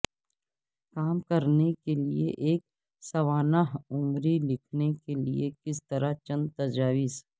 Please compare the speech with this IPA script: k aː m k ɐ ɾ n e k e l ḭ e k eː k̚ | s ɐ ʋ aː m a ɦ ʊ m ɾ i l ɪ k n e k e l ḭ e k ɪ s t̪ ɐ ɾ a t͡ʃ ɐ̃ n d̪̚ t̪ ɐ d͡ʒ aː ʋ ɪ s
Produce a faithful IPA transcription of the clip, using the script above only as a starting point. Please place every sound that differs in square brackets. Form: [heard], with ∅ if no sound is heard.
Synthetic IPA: k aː m k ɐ ɾ n e k e l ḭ e [ʔ] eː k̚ | s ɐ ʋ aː [n] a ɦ ʊ m ɾ i l ɪ [kʰ] n e k e l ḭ e k ɪ s t̪ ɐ ɾ a t͡ʃ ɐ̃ n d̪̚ t̪ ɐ d͡ʒ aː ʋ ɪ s